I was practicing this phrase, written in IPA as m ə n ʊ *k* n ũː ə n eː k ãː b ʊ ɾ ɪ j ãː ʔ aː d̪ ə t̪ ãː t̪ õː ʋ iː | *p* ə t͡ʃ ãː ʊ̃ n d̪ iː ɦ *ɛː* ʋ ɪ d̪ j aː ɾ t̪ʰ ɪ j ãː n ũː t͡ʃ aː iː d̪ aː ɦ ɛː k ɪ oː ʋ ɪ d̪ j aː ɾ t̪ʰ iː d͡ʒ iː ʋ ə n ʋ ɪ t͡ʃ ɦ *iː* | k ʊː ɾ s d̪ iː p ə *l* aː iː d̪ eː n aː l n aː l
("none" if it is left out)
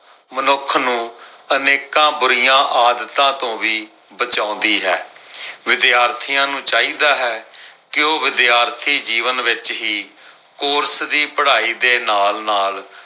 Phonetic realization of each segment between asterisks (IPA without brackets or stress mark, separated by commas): kʰ, b, ɛː, iː, ɽ